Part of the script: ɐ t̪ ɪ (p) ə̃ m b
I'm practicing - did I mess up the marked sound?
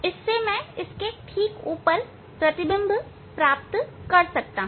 yes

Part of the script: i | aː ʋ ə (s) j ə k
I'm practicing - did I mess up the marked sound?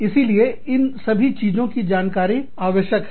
yes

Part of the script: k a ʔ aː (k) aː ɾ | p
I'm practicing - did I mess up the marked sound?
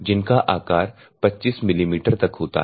no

